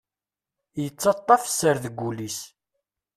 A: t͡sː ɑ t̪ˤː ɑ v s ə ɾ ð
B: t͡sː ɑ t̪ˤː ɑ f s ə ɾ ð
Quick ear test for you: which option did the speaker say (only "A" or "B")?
B